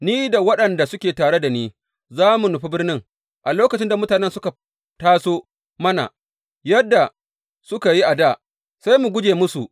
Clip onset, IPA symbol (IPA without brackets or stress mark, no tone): n